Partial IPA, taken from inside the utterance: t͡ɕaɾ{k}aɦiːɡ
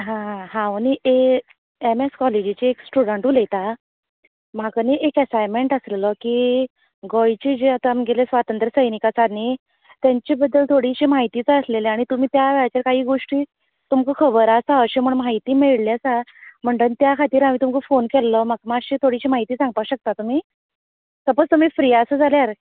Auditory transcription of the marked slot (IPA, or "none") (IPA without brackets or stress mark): k